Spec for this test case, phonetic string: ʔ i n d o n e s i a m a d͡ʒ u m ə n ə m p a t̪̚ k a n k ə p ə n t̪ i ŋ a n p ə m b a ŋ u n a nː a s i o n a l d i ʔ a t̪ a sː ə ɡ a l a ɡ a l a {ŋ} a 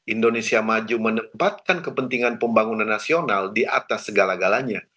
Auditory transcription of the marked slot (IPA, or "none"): ɲ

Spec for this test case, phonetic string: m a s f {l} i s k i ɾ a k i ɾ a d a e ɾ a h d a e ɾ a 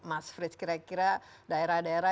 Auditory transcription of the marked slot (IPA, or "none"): ɾ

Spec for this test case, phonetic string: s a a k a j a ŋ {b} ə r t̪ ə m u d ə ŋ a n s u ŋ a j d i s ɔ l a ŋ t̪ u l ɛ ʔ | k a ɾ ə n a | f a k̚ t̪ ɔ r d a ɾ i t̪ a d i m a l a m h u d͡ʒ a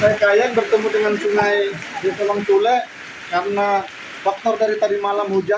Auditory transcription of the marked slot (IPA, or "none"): b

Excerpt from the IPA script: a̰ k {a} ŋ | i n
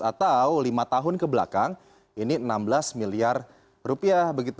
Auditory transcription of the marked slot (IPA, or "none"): a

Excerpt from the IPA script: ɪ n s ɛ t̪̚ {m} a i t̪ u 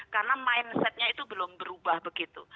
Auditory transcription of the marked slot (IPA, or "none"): ɲ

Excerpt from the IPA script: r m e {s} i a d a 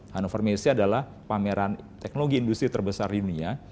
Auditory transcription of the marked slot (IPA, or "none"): s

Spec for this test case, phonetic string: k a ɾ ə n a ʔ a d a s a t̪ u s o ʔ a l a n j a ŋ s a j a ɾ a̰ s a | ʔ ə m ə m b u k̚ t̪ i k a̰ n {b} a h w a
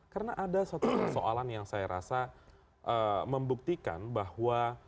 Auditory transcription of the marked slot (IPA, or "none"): b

